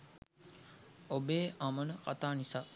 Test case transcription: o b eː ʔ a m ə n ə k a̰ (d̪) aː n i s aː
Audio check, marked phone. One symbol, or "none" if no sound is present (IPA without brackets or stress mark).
t̪